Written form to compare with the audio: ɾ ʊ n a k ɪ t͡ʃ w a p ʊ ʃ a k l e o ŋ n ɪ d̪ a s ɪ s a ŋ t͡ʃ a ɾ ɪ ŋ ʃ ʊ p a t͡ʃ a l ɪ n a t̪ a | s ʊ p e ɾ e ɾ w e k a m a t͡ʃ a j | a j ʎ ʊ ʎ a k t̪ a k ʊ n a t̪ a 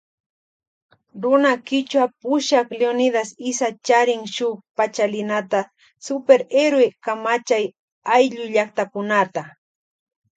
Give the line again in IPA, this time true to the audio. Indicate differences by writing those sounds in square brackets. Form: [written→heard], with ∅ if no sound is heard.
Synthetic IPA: ɾ ʊ n a k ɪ t͡ʃ w a p ʊ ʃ a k l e o [ŋ→∅] n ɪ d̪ a s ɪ s a [ŋ→∅] t͡ʃ a ɾ ɪ ŋ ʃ ʊ p a t͡ʃ a l ɪ n a t̪ a | s ʊ p e ɾ e ɾ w e k a m a t͡ʃ a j | a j ʎ ʊ ʎ a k t̪ a k ʊ n a t̪ a